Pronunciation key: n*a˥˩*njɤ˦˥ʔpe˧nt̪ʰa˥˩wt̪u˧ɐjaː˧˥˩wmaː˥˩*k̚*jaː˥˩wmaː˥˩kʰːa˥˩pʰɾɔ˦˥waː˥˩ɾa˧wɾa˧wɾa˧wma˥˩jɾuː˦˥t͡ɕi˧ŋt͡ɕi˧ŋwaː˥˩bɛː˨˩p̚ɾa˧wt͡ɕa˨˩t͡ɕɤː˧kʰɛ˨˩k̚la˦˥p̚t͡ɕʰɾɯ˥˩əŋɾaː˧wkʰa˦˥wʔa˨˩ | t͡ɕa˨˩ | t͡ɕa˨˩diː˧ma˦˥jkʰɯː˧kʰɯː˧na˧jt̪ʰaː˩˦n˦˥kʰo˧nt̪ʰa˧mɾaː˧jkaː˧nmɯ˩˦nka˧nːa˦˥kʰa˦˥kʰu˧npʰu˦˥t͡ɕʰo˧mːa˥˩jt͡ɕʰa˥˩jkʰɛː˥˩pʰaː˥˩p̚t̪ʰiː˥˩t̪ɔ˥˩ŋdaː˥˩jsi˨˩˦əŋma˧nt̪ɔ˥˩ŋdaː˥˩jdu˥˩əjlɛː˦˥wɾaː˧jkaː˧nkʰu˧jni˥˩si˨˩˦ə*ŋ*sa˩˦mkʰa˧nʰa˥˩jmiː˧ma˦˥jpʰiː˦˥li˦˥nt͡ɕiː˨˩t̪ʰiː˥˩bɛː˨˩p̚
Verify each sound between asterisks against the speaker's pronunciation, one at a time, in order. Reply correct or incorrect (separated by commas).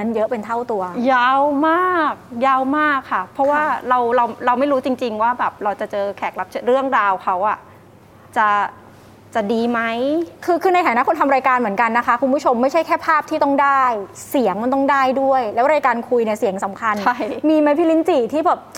incorrect, correct, correct